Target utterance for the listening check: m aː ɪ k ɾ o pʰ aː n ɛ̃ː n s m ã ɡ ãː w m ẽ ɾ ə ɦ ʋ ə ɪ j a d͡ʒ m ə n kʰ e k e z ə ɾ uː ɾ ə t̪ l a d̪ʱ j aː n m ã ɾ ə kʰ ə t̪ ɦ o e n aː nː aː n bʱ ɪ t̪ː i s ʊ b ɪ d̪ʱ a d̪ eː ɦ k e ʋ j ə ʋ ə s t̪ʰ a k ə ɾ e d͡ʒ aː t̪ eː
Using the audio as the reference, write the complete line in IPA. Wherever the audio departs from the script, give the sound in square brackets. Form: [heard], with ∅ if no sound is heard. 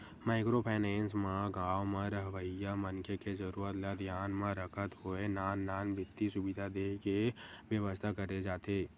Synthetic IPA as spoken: m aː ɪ k ɾ o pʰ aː n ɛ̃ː n s m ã ɡ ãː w m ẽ ɾ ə ɦ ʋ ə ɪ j a [∅] m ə n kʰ e k e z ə ɾ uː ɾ ə t̪ l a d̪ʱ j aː n m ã ɾ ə kʰ ə t̪ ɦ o e n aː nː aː n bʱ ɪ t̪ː i s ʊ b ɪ d̪ʱ a d̪ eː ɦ k e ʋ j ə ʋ ə s t̪ʰ a k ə ɾ e d͡ʒ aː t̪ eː